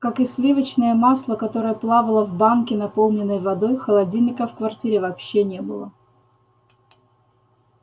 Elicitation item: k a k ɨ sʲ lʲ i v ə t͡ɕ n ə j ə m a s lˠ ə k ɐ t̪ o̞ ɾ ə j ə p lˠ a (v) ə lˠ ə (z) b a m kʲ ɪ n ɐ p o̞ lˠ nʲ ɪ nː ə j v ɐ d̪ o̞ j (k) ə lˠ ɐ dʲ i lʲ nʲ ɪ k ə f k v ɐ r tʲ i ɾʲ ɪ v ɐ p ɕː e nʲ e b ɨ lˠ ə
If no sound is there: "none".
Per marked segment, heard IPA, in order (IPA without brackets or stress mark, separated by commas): v, v, x